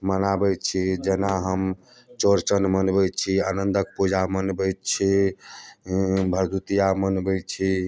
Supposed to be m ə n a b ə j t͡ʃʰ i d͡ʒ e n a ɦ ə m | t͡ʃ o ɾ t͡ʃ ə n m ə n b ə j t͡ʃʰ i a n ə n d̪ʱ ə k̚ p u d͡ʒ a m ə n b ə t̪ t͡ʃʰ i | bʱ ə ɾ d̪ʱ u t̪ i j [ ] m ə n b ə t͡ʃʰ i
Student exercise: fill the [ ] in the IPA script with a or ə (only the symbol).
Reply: a